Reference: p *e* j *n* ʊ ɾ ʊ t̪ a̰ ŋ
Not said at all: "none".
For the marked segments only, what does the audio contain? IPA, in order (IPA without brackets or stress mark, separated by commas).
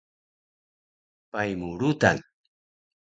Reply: a, m